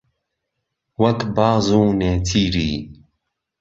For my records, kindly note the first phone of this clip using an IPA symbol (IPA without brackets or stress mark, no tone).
w